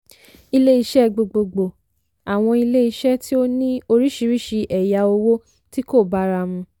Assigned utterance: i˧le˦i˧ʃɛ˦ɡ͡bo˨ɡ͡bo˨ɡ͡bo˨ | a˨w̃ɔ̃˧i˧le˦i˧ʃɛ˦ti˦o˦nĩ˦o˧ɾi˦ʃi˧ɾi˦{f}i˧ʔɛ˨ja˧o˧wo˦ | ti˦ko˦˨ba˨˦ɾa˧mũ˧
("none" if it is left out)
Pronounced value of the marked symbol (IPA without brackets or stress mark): ʃ